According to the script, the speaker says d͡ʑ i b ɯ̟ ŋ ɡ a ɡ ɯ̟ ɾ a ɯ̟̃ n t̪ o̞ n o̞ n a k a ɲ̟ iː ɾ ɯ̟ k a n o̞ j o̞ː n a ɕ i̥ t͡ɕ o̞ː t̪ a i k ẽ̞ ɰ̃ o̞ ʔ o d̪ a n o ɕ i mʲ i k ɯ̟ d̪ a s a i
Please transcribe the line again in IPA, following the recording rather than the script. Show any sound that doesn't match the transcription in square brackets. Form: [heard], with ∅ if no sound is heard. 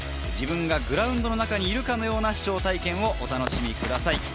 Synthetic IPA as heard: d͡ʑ i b [ɯ̟̃] ŋ ɡ a ɡ ɯ̟ ɾ a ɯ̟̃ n [d̪] o̞ n o̞ n a k a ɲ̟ iː ɾ ɯ̟ k a n o̞ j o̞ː n a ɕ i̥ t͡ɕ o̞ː t̪ a i k ẽ̞ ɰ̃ o̞ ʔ o [t̪] a n o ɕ i mʲ i k ɯ̟ d̪ a s a i